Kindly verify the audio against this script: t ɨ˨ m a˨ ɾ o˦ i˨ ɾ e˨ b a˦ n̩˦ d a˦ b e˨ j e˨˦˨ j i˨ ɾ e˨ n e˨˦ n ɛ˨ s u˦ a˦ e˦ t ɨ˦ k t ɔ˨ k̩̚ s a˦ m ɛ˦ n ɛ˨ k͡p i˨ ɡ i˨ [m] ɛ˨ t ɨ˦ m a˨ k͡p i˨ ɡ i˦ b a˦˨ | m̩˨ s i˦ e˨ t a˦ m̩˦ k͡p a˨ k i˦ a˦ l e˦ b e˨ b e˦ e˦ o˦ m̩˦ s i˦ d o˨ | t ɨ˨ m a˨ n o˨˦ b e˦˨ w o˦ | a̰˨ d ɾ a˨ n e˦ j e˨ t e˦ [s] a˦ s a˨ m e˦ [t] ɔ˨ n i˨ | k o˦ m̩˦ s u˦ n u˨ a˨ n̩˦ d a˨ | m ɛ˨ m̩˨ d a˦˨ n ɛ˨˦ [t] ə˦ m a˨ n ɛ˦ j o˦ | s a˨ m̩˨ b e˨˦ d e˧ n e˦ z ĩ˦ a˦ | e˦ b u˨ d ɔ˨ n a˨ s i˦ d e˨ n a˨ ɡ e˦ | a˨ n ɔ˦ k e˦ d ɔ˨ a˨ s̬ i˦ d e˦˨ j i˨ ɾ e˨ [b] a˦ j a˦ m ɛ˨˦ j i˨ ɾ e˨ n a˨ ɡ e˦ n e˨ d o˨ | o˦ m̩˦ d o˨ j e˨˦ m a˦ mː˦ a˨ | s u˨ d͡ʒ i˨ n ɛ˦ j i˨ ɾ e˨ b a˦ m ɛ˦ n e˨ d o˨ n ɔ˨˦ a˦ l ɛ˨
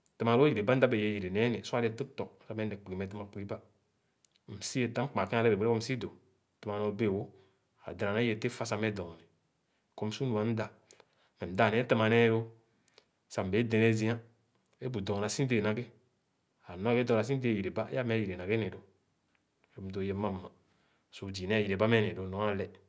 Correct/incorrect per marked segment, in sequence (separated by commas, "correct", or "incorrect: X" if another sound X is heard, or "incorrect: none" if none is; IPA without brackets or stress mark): correct, incorrect: f, incorrect: d, correct, correct